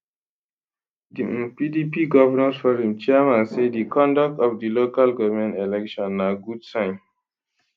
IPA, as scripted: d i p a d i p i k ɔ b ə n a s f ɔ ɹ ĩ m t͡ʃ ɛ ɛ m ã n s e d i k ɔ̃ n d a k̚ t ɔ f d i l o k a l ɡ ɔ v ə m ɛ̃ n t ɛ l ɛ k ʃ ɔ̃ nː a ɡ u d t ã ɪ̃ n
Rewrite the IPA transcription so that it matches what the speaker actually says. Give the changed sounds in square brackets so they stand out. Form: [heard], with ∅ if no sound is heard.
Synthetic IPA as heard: d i p [i] d i p i [ɡ] ɔ [v] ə n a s f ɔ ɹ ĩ m t͡ʃ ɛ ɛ m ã n s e d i k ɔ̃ n d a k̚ t ɔ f d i l o k a l ɡ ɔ v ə m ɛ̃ n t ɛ l ɛ k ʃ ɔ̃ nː a ɡ u d [s] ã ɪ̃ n